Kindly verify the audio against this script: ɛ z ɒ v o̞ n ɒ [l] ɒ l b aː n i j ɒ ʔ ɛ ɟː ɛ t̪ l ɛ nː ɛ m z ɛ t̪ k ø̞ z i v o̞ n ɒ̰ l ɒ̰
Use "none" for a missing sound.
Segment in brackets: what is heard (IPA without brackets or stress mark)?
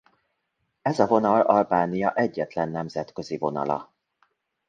l